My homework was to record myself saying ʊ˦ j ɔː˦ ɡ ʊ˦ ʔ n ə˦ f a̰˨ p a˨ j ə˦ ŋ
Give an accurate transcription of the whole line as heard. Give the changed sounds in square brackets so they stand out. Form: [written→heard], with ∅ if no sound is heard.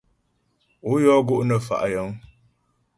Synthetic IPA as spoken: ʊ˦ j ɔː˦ ɡ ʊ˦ ʔ n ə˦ f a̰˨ [p→ʔ] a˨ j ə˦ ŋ